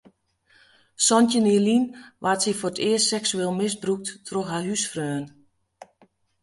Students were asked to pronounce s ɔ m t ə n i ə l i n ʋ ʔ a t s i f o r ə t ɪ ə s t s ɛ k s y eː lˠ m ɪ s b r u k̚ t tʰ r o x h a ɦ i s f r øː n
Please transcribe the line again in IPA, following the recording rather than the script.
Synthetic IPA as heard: s ɔ n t ə n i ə l i n ʋ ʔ a t s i f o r ə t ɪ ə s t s ɛ k s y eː lˠ m ɪ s b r u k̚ t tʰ r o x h a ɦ y s f r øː n